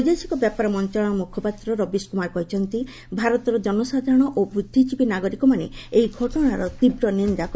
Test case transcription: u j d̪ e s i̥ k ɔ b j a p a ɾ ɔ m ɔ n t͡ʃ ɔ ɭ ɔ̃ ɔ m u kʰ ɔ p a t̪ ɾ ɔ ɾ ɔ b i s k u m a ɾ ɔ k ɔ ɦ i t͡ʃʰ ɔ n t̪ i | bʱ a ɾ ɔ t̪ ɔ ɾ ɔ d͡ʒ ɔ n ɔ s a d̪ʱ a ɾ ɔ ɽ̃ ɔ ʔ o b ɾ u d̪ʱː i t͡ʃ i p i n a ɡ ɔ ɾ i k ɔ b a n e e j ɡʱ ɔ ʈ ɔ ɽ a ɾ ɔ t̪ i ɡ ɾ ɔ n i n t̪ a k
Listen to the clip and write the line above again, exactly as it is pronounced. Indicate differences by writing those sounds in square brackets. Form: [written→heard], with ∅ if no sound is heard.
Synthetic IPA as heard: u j d̪ e s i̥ k ɔ b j a p a ɾ ɔ m ɔ n t͡ʃ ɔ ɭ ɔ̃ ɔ m u kʰ ɔ p a t̪ ɾ ɔ ɾ ɔ b i s k u m a ɾ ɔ k ɔ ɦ i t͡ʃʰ ɔ n t̪ i | bʱ a ɾ ɔ t̪ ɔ ɾ ɔ d͡ʒ ɔ n ɔ s a d̪ʱ a ɾ ɔ ɽ̃ ɔ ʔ o b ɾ u d̪ʱː i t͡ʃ i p i n a ɡ ɔ ɾ i k ɔ [b→m] a n e e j ɡʱ ɔ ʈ ɔ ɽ a ɾ ɔ t̪ i [ɡ→b] ɾ ɔ n i n [t̪→d̪] a k